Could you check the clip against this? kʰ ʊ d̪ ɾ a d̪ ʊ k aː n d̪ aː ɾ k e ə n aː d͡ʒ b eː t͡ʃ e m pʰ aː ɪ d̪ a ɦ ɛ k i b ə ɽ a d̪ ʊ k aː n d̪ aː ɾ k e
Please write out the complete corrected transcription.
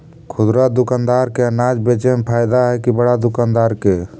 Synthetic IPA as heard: kʰ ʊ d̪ ɾ a d̪ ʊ k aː n d̪ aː ɾ k e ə n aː d͡ʒ b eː t͡ʃ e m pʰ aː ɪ d̪ a ɦ ɛ k i b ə ɽ a d̪ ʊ k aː n d̪ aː ɾ k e